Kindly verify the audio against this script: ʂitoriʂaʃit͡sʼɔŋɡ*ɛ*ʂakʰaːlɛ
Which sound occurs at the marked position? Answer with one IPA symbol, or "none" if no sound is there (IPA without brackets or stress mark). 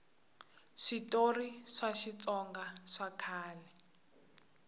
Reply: a